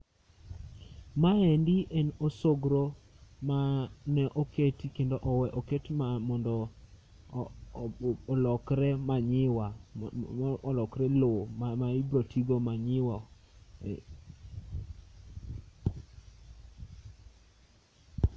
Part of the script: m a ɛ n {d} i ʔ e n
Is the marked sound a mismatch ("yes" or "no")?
no